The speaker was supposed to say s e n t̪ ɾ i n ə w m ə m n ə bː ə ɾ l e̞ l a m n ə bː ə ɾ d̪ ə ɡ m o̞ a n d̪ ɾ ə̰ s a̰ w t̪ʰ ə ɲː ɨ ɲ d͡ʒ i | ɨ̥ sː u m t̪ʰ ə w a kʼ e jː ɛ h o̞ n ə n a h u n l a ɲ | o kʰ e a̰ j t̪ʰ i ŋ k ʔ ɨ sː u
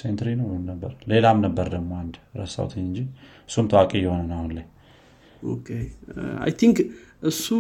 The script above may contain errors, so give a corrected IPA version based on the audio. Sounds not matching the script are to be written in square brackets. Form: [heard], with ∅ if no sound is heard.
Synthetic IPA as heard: s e n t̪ ɾ i n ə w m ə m n ə bː ə ɾ l e̞ l a m n ə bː ə ɾ d̪ ə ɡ m o̞ a n d̪ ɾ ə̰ s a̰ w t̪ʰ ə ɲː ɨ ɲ d͡ʒ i | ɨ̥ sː u m t̪ʰ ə w a kʼ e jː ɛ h o̞ n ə n a h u n l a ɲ | o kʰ e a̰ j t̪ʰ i ŋ k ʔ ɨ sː u